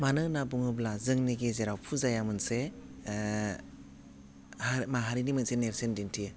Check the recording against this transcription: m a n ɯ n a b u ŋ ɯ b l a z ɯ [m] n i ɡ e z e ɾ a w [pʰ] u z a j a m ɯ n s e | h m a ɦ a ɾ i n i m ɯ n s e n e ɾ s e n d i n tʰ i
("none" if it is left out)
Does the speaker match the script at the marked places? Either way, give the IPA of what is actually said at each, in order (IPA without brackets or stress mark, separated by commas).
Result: ŋ, pʰ